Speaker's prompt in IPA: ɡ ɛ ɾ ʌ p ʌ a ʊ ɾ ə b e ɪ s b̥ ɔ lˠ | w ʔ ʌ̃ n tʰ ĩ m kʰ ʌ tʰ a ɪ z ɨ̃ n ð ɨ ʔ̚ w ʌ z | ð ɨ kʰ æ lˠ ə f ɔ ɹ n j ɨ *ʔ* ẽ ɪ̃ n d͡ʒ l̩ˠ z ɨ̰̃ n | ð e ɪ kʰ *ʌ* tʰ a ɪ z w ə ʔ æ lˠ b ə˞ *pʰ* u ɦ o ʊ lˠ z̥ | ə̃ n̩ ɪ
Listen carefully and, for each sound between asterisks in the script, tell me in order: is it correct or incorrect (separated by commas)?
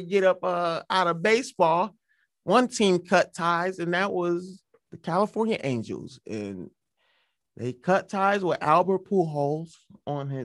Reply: correct, correct, correct